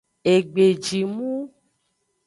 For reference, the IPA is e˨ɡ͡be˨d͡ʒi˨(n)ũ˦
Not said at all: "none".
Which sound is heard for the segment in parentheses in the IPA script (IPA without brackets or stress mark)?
m